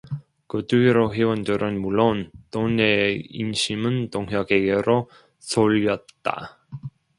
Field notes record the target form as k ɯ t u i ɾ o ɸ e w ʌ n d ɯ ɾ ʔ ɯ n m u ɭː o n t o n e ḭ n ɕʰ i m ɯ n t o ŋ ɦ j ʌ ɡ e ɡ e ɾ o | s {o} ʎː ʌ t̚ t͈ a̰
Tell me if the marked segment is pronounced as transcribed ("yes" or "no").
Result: yes